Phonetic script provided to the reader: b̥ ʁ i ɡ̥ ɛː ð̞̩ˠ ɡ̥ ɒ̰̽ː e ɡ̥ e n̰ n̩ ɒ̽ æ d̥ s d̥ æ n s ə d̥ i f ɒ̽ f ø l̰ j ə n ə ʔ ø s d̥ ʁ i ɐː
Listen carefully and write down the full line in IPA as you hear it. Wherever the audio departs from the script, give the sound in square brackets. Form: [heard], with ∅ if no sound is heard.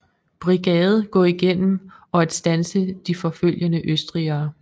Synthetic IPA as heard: b̥ ʁ i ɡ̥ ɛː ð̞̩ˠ ɡ̥ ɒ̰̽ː [i] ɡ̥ e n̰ [m̩] ɒ̽ æ d̥ s d̥ æ n s ə d̥ i f ɒ̽ f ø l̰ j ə n ə ʔ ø s d̥ ʁ i ɐː

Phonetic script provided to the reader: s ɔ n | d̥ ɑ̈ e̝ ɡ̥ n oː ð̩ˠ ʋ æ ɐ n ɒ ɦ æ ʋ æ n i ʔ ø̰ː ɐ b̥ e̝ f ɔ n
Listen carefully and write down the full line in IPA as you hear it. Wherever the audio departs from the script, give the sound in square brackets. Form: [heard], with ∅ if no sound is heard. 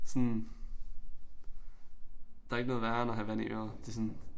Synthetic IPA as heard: s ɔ n | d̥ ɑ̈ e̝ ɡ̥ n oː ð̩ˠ ʋ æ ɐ n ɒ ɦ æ ʋ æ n i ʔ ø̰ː ɐ [d̥] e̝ [s] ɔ n

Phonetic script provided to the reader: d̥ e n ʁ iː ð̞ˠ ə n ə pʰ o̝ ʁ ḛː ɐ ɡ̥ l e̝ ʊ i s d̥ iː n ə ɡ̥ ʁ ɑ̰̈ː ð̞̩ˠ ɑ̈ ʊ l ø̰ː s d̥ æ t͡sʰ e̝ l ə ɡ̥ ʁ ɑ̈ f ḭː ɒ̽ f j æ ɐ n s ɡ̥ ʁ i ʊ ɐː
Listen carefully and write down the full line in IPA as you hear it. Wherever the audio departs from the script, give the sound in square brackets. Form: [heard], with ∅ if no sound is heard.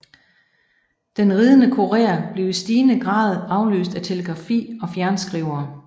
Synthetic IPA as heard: d̥ e n ʁ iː ð̞ˠ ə n ə [kʰ] o̝ ʁ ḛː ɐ [b̥] l e̝ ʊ i s d̥ iː n ə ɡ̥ ʁ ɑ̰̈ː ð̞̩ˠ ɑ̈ ʊ l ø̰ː s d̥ æ t͡sʰ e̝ l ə ɡ̥ ʁ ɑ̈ f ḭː ɒ̽ f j æ ɐ n s ɡ̥ ʁ i ʊ ɐː

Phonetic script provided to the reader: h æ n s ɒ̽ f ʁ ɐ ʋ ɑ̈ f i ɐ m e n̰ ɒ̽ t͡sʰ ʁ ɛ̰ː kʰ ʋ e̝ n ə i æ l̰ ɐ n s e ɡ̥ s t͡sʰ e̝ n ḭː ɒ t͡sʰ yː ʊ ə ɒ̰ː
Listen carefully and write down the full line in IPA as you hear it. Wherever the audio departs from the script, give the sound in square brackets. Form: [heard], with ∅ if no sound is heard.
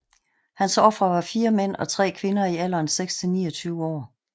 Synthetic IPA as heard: h æ n s ɒ̽ f ʁ ɐ ʋ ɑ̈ f [iː] ɐ m e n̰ ɒ̽ t͡sʰ ʁ ɛ̰ː kʰ ʋ e̝ n [ɐ] i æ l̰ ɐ n s e ɡ̥ s t͡sʰ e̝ n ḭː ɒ t͡sʰ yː ʊ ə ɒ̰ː

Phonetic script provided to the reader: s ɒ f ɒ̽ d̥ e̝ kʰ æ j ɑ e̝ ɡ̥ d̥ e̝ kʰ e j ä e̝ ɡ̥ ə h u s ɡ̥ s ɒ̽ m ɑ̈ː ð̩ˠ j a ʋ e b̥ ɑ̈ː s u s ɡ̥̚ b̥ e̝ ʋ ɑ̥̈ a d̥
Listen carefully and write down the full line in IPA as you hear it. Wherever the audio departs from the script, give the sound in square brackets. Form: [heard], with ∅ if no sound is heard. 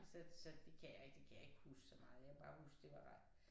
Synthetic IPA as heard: s ɒ [s] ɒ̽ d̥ e̝ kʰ æ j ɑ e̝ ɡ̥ d̥ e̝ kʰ [æ] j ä e̝ ɡ̥ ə h u s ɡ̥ s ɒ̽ m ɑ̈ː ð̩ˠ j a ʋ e b̥ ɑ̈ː [h] u s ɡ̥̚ [d̥] e̝ ʋ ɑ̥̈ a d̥

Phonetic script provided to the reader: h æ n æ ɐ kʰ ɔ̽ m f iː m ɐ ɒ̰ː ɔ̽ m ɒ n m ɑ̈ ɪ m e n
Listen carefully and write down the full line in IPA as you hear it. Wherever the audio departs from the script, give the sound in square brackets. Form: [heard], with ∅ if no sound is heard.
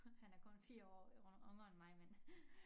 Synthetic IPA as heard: h æ n æ ɐ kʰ ɔ̽ [n] f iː [∅] ɐ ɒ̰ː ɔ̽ [ŋ] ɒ n m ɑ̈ ɪ m e n

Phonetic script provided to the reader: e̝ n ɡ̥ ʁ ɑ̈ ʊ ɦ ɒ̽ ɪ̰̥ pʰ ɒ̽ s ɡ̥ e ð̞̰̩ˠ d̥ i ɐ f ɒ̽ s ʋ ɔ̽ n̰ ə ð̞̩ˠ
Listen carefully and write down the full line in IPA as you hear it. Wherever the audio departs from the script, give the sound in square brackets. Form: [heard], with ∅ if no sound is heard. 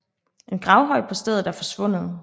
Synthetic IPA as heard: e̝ n ɡ̥ ʁ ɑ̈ ʊ ɦ ɒ̽ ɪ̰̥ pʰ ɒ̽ s [d̥] e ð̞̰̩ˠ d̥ [æ] ɐ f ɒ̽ s ʋ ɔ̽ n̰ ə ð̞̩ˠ

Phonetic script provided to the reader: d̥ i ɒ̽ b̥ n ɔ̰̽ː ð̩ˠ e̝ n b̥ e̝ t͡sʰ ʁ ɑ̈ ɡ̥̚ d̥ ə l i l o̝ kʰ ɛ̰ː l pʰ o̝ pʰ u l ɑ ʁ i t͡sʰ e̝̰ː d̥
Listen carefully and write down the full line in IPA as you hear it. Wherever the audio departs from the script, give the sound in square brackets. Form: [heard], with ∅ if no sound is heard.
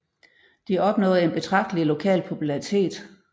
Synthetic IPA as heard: d̥ i ɒ̽ b̥ n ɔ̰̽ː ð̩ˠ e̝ n b̥ e̝ t͡sʰ ʁ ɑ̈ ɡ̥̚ d̥ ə l i l o̝ kʰ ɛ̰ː l pʰ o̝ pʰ u l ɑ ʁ i t͡sʰ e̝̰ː d̥

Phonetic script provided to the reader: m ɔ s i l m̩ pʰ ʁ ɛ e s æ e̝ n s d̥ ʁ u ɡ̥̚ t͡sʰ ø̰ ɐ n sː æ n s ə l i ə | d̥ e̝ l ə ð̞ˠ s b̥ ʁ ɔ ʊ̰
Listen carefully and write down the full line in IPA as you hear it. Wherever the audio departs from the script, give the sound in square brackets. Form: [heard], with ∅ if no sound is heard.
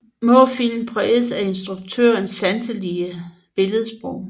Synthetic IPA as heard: m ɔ [f] i l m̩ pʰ ʁ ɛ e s æ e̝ n s d̥ ʁ u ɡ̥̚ t͡sʰ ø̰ ɐ n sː æ n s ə l i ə | [b̥] e̝ l ə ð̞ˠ s b̥ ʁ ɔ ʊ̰

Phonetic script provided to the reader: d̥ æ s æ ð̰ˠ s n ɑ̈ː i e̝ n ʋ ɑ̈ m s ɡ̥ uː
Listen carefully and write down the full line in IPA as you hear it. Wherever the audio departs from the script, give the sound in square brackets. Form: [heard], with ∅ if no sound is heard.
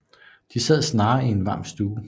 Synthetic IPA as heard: d̥ [i] s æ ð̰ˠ s n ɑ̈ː i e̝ n ʋ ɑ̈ m s [d̥] uː

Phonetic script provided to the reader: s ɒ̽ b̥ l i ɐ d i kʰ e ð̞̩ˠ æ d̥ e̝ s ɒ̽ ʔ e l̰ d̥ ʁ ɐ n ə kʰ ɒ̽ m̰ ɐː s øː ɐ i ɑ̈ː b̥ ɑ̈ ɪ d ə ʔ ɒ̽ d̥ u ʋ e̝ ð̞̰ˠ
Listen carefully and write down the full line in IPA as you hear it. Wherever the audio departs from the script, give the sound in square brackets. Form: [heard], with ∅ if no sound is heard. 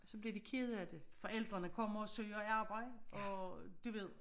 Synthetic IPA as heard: s ɒ̽ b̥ l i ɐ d i kʰ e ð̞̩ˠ æ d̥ e̝ [f] ɒ̽ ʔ e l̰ d̥ ʁ ɐ n ə kʰ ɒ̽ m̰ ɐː s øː ɐ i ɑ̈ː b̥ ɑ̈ ɪ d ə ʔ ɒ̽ d̥ u ʋ e̝ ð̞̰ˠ

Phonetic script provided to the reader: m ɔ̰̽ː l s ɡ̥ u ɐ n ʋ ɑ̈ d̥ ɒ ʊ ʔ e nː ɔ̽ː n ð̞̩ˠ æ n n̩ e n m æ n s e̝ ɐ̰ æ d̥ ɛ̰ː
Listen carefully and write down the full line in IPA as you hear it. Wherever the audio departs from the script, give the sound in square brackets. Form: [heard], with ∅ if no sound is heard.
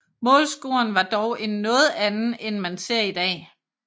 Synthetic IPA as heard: m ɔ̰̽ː l s ɡ̥ u ɐ n ʋ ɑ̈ d̥ ɒ ʊ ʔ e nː ɔ̽ː [∅] ð̞̩ˠ æ n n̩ e n m æ n s e̝ ɐ̰ [i] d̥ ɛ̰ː

